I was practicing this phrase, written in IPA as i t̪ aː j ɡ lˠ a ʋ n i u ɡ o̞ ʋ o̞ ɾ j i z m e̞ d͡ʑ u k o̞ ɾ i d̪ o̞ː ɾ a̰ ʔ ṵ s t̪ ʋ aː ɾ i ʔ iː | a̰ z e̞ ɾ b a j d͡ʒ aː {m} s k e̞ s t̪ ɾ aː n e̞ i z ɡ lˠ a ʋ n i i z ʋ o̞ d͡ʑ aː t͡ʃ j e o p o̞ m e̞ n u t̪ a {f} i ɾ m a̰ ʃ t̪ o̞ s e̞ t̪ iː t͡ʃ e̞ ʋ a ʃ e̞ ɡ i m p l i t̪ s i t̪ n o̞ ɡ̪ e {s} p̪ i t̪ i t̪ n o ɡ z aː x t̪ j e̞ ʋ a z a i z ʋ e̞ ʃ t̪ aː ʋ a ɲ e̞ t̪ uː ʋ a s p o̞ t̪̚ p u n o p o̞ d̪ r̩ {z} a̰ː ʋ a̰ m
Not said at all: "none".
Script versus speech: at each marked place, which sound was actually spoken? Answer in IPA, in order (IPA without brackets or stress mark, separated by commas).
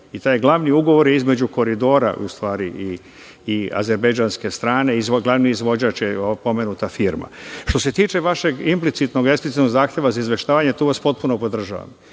n, f, s, ʒ